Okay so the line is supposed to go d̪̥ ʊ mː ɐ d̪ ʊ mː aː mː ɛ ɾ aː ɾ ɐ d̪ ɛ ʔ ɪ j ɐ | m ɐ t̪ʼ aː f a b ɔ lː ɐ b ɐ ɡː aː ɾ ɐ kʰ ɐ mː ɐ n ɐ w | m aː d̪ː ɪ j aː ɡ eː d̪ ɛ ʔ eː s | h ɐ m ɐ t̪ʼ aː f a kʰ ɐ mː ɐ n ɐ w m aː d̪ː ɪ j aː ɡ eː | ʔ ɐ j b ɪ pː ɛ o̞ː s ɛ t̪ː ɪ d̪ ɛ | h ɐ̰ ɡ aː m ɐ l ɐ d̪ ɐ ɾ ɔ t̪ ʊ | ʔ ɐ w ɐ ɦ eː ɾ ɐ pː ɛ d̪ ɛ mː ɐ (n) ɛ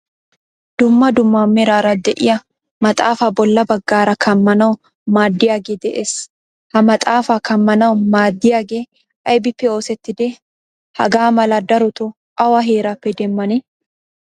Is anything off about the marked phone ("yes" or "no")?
no